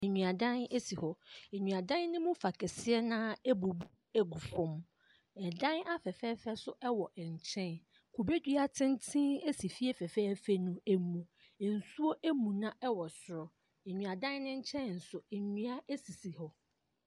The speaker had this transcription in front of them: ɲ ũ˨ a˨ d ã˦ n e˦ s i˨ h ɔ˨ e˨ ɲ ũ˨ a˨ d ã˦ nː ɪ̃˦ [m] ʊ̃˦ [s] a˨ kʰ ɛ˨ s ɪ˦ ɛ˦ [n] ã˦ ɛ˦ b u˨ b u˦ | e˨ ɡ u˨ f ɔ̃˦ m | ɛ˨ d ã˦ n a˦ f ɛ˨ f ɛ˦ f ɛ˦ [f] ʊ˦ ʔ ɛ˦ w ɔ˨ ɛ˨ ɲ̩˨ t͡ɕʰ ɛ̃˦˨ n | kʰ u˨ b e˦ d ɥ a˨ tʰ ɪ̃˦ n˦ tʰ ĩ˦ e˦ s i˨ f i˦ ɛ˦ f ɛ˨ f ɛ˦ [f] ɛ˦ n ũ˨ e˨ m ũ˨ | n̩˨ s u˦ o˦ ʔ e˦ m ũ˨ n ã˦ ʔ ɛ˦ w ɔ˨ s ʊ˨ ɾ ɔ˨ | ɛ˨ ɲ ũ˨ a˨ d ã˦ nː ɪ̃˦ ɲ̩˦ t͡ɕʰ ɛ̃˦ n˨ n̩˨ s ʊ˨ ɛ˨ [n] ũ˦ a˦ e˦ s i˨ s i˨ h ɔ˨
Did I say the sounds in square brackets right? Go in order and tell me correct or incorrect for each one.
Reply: correct, incorrect: f, correct, incorrect: s, correct, incorrect: ɲ

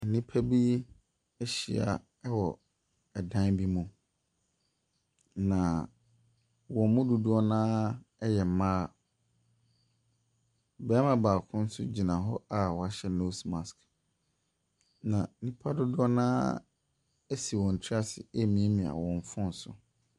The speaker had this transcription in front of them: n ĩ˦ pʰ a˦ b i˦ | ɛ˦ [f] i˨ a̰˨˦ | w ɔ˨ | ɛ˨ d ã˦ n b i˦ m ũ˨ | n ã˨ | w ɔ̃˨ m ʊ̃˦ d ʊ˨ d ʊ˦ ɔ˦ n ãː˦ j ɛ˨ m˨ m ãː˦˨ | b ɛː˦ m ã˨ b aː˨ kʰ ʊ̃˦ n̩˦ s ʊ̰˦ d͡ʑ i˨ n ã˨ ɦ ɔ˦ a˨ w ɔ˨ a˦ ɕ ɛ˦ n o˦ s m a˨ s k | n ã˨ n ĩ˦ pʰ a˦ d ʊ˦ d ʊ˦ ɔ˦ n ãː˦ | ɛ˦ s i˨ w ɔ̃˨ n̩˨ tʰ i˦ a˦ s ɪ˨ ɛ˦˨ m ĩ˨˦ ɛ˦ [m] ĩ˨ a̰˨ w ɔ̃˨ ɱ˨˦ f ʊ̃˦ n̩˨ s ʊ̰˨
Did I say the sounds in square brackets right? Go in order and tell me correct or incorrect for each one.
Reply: incorrect: ɕ, correct

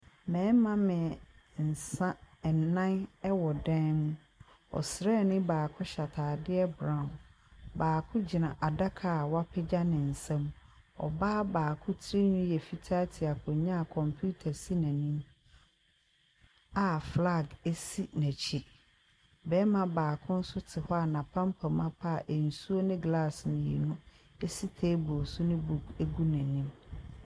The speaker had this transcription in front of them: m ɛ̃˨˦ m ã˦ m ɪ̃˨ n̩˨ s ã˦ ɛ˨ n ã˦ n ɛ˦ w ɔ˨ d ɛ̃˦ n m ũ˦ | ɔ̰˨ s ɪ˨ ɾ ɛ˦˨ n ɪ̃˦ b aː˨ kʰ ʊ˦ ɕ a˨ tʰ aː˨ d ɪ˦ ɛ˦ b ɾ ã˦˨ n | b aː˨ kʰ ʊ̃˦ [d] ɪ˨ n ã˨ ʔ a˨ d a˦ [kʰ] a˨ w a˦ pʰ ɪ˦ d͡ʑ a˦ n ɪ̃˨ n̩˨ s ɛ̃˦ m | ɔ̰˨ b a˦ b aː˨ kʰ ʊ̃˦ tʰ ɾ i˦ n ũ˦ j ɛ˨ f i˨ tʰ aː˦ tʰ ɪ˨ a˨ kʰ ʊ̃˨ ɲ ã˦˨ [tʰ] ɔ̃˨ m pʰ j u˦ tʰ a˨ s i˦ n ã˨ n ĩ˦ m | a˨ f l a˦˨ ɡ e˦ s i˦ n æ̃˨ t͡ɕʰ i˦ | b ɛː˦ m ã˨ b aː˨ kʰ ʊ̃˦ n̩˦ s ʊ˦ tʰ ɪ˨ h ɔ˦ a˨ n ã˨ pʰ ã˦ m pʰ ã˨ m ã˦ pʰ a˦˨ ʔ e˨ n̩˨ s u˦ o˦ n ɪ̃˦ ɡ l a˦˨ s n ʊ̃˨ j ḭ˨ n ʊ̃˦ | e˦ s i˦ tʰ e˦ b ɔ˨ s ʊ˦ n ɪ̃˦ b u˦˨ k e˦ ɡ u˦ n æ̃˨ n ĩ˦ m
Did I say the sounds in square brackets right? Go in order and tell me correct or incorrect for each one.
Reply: incorrect: d͡ʑ, correct, incorrect: kʰ

